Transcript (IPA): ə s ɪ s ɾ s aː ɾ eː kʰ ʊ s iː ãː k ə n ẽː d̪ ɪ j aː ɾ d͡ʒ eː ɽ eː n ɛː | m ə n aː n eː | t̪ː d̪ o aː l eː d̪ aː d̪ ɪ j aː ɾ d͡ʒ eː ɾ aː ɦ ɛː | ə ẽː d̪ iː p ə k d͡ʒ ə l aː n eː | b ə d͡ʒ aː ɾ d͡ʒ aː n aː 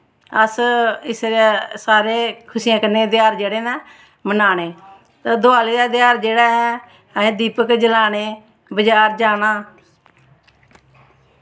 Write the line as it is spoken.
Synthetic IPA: ə s ɪ s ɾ s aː ɾ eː kʰ ʊ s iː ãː k ə n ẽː d̪ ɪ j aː ɾ d͡ʒ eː ɽ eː n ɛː | m ə n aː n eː | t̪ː d̪ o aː l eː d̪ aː d̪ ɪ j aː ɾ d͡ʒ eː ɽ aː ɦ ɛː | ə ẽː d̪ iː p ə k d͡ʒ ə l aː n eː | b ə d͡ʒ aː ɾ d͡ʒ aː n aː